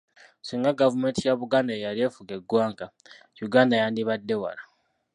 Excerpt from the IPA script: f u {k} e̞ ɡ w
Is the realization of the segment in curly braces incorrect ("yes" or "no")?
yes